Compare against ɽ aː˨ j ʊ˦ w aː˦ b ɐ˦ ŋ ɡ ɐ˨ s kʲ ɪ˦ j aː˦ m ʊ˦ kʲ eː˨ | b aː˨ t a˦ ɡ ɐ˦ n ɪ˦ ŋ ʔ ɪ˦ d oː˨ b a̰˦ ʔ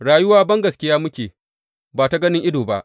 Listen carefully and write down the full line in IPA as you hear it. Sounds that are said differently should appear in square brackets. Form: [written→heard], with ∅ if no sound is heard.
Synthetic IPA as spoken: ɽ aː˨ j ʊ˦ w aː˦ b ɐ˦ ŋ ɡ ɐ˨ s kʲ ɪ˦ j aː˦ m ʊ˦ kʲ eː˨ | b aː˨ t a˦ ɡ ɐ˦ n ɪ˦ ŋ ʔ ɪ˦ d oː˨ b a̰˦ ʔ